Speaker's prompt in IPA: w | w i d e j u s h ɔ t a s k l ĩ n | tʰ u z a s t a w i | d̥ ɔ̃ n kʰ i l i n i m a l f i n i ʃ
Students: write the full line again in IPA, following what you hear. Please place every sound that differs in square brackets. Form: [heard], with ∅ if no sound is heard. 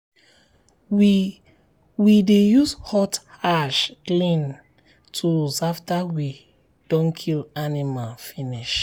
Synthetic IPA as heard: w | w i d e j u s h ɔ t a [ʃ] k l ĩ n | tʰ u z a [f] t a w i | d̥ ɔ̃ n kʰ i l [a] n i m a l f i n i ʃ